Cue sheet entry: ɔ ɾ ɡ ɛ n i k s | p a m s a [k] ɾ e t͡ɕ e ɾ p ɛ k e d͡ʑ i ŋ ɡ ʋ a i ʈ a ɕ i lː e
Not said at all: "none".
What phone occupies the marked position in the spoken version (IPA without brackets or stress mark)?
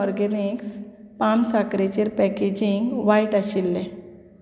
k